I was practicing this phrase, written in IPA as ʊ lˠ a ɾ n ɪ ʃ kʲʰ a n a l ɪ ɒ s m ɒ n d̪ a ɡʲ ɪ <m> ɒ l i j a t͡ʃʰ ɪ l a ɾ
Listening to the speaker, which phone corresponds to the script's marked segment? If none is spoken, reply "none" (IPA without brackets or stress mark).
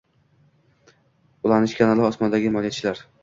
m